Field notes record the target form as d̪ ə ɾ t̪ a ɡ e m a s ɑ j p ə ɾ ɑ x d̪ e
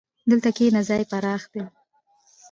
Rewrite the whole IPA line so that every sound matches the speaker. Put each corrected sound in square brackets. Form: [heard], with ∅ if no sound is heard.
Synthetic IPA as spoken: d̪ ə [l] t̪ a [k] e [n] a [z] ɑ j p [a] ɾ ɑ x d̪ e